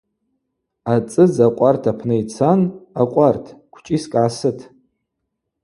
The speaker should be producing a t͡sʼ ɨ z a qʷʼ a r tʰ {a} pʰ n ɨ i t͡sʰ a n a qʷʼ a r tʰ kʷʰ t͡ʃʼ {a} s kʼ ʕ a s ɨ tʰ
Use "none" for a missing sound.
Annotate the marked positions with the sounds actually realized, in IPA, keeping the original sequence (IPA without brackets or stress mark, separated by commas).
a, i